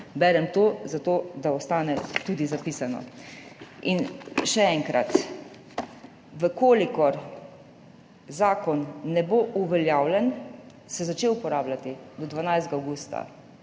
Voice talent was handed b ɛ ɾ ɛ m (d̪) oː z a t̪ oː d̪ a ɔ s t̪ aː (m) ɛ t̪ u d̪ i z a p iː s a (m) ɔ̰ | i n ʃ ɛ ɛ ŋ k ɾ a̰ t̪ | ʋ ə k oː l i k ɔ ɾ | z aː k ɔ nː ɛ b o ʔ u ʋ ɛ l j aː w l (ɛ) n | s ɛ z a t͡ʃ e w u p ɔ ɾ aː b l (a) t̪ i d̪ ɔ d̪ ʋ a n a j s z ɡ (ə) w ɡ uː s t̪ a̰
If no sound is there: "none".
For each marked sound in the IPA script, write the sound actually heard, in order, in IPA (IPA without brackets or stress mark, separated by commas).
t̪, n, n, ɛ, a, a